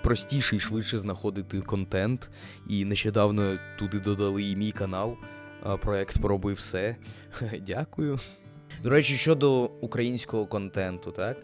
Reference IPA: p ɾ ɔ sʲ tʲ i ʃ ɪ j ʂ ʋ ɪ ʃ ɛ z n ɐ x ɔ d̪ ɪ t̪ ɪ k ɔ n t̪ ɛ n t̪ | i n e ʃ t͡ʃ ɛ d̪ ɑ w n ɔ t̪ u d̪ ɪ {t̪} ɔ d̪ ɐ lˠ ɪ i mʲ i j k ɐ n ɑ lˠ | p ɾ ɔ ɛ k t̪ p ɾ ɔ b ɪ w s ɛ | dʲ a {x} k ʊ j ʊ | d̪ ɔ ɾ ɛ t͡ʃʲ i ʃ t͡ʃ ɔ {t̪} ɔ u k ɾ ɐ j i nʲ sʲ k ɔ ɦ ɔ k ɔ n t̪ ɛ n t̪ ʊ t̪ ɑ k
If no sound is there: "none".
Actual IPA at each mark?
d̪, none, d̪

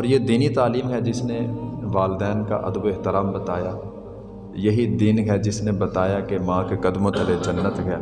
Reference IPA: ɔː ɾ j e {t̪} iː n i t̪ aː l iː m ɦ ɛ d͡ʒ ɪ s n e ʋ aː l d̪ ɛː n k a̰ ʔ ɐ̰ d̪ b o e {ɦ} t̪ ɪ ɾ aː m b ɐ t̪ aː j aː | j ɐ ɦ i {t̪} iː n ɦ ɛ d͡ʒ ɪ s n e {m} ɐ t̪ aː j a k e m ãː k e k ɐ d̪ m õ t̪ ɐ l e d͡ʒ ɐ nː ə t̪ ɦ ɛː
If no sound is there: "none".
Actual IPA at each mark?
d̪, ɦ, d̪, b

